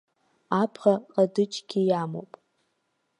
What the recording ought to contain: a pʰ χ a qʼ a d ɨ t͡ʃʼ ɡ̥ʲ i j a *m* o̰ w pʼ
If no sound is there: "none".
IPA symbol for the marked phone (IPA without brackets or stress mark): m